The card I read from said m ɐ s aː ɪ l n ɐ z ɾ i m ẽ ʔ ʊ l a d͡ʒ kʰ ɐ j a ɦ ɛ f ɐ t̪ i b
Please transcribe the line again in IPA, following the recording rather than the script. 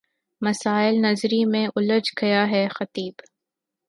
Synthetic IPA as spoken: m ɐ s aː ɪ l n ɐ z ɾ i m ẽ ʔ ʊ l ə d͡ʒ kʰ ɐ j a ɦ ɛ x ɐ t̪ iː b